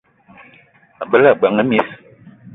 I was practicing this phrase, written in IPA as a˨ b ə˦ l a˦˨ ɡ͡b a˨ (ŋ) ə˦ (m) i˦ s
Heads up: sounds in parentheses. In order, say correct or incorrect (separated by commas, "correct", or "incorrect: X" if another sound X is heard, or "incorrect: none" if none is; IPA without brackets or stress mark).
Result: correct, correct